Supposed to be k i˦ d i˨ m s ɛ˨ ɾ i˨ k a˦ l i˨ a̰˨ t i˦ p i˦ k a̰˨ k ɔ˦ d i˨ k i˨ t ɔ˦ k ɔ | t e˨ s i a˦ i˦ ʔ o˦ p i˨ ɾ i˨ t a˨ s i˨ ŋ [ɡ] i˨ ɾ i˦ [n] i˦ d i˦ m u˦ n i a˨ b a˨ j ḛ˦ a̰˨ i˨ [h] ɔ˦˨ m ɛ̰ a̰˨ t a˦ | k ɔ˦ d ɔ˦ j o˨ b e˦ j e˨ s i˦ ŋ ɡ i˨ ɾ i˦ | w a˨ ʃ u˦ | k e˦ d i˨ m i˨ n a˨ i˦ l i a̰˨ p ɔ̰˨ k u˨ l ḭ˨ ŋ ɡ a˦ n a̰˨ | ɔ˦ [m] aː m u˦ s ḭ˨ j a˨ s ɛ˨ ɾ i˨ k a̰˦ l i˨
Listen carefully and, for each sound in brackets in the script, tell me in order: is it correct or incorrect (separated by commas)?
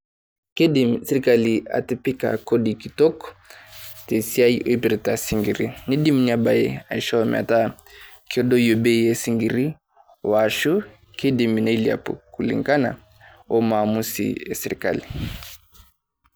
correct, correct, incorrect, correct